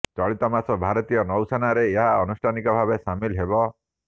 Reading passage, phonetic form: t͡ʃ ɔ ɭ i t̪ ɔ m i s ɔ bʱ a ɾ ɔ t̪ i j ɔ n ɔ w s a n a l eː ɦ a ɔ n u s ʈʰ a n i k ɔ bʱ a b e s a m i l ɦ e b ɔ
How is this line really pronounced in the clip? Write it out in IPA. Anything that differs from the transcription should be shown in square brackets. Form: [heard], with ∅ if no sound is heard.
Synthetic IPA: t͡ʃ ɔ ɭ i t̪ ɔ m [a] s ɔ bʱ a ɾ ɔ t̪ i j ɔ n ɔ w s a n a [ɾ] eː ɦ a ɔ n u s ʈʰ a n i k ɔ bʱ a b e s a m i l ɦ e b ɔ